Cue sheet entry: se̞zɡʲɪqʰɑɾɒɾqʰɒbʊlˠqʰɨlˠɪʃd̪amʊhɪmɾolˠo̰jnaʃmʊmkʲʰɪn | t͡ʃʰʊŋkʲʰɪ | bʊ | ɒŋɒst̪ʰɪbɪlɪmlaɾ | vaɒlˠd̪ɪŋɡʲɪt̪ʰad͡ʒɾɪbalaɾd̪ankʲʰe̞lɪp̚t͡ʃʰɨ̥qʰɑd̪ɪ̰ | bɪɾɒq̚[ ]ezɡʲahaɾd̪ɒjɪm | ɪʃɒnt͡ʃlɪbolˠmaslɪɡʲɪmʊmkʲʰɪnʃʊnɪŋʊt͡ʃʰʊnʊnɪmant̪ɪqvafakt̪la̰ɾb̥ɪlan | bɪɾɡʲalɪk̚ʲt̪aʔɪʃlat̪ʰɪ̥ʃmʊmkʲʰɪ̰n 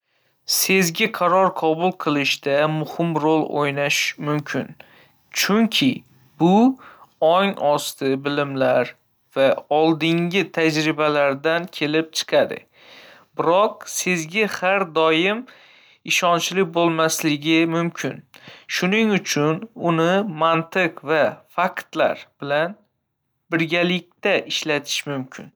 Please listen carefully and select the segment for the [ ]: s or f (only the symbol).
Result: s